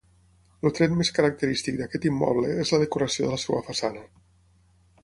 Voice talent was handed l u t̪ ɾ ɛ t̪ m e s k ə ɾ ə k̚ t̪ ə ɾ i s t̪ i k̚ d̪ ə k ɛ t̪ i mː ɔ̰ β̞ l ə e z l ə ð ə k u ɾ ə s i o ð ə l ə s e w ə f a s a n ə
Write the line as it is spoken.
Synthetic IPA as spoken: l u t̪ ɾ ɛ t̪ m e s k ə ɾ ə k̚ t̪ ə ɾ i s t̪ i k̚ d̪ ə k ɛ t̪ i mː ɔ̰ β̞ l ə e z l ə ð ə k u ɾ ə s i o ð ə l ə s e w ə f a s a n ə